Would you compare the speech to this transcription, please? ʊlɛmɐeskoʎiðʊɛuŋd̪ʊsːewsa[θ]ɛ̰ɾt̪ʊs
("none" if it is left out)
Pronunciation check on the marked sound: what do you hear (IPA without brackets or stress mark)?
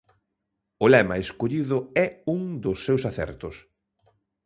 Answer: θ